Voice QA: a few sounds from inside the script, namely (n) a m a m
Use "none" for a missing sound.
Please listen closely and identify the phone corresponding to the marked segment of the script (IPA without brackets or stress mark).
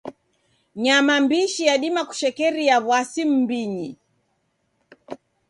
ɲ